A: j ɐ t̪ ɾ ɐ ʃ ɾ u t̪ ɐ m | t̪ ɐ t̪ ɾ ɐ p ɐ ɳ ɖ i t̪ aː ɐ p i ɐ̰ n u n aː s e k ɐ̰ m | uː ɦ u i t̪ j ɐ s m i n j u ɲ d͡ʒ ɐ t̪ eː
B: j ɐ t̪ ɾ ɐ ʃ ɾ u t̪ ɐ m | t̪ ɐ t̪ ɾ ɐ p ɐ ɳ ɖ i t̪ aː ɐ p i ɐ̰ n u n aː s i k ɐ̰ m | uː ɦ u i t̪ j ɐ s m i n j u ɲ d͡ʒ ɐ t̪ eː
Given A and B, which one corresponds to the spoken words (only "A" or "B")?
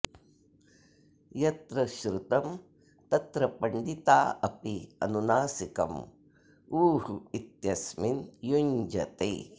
B